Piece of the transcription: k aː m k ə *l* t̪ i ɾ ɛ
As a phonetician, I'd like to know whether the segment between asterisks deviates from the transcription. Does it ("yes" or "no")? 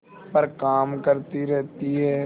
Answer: yes